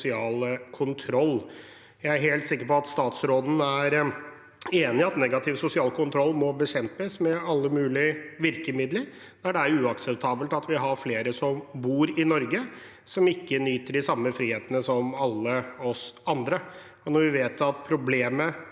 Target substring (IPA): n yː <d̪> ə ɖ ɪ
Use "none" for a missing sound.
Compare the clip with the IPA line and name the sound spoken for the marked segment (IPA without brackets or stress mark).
t̪